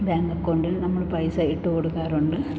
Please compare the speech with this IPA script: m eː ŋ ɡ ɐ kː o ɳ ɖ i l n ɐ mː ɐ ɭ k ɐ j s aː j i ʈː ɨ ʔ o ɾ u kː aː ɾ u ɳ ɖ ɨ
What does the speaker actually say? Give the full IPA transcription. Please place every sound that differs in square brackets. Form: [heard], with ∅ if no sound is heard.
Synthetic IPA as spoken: [b] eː ŋ ɡ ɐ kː o ɳ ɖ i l n ɐ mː ɐ ɭ [p] ɐ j s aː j i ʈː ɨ [k] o [ɽ] u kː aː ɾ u ɳ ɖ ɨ